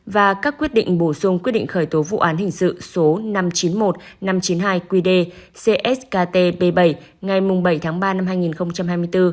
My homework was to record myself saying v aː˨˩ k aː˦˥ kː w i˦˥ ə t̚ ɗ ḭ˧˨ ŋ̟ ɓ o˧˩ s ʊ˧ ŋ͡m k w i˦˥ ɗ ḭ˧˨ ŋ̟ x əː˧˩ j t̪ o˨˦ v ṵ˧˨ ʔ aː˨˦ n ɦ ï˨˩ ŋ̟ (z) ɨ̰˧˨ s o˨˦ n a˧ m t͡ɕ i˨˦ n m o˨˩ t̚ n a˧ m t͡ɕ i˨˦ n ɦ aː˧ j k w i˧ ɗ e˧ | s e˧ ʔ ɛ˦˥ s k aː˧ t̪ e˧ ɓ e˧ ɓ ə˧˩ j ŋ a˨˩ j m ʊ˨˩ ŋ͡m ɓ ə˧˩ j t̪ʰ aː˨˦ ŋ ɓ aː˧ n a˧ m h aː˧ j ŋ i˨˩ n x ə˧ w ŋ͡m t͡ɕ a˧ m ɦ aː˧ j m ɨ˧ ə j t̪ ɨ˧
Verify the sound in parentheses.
incorrect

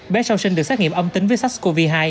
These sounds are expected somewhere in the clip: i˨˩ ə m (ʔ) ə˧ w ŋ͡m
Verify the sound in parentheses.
correct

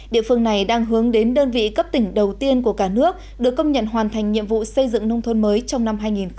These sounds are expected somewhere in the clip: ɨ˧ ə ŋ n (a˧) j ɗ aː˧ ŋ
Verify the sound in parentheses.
incorrect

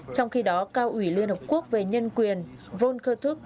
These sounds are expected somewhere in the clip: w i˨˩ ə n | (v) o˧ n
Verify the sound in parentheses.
correct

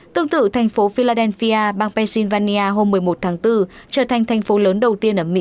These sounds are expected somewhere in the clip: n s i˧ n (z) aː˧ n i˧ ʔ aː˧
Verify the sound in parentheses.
incorrect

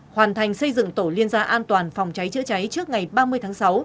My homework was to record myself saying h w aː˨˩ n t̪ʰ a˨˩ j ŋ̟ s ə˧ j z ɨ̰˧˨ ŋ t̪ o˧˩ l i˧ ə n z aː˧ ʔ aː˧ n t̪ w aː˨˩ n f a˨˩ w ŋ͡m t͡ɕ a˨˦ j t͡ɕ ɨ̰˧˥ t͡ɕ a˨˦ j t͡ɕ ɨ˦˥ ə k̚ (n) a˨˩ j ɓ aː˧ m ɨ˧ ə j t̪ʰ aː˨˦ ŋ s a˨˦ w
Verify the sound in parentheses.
incorrect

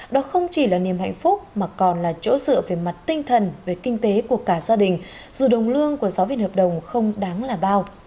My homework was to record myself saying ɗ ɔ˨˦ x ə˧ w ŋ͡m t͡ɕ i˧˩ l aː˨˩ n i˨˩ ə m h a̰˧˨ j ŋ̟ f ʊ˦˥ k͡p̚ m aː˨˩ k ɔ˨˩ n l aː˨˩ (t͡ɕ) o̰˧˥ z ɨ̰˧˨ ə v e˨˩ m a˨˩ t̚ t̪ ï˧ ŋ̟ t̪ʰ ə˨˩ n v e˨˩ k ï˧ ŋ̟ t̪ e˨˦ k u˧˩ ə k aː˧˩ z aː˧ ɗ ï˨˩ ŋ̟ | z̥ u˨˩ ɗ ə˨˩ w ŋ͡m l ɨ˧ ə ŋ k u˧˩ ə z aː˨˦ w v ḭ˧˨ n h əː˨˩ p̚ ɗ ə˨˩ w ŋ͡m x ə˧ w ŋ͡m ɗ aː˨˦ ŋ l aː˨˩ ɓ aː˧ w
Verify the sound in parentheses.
correct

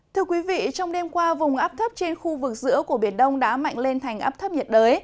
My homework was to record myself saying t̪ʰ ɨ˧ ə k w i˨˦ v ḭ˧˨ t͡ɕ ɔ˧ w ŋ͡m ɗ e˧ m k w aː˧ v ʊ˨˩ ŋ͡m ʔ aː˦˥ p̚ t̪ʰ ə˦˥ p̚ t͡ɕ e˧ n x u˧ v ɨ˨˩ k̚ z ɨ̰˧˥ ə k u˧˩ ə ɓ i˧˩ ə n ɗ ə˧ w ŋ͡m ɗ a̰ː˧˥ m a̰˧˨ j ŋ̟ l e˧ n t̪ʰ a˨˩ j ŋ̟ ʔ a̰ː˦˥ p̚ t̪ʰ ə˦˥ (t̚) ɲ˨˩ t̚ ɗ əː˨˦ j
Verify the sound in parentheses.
incorrect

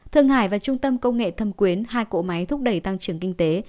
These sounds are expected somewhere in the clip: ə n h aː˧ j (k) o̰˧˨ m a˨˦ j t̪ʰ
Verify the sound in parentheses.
correct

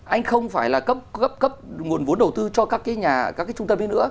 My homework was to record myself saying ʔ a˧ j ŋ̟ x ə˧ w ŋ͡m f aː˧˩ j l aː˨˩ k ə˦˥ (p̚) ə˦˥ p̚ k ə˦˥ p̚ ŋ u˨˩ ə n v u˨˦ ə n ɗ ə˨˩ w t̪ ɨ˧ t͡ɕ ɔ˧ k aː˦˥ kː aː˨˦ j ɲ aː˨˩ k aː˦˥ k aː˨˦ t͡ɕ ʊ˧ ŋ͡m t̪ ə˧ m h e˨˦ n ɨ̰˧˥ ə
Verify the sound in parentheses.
correct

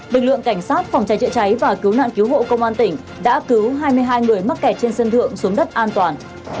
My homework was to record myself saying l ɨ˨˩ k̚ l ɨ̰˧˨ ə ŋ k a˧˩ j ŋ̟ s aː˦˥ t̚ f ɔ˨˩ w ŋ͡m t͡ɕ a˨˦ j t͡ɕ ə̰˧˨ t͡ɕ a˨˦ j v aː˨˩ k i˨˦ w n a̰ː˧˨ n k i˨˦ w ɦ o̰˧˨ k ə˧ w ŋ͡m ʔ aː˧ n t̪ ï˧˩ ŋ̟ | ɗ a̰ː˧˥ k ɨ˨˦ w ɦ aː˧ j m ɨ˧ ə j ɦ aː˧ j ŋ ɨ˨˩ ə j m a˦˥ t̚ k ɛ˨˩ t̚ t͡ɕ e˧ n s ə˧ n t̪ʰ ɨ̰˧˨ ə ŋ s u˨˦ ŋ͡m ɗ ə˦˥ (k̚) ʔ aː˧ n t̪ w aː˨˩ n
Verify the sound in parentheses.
incorrect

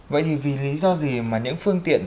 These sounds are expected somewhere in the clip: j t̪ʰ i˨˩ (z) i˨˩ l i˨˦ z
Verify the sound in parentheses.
incorrect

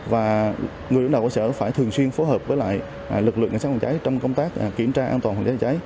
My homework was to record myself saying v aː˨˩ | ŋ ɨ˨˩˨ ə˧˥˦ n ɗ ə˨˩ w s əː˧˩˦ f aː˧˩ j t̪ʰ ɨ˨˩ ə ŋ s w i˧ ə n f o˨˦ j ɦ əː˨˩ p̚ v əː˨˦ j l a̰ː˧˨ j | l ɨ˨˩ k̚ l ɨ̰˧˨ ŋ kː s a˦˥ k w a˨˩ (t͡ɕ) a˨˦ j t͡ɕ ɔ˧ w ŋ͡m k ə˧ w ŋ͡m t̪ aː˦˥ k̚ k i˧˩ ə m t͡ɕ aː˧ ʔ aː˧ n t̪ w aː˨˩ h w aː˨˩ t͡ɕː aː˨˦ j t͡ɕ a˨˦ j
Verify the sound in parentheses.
correct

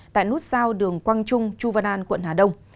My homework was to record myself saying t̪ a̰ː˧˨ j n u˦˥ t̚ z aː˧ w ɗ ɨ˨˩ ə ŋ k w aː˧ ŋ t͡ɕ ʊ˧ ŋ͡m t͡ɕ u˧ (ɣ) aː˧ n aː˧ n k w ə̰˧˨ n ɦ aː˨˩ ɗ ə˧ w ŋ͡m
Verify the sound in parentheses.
incorrect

